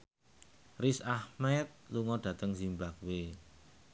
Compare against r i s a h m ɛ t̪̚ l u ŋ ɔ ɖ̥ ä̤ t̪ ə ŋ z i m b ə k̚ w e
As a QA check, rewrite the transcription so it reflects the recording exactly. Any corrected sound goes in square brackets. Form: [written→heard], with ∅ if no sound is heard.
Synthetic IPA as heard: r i s a h m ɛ t̪̚ l u ŋ ɔ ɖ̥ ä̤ t̪ ə ŋ z i m b [ə→a] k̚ w e